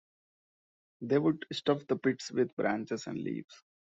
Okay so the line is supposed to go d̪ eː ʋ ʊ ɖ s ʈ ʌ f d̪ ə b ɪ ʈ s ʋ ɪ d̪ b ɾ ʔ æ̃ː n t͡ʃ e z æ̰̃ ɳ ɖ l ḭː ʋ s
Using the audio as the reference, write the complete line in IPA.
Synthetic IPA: d̪ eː ʋ ʊ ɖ s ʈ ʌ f d̪ ə p ɪ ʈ s ʋ ɪ d̪ b ɾ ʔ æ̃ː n t͡ʃ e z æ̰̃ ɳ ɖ l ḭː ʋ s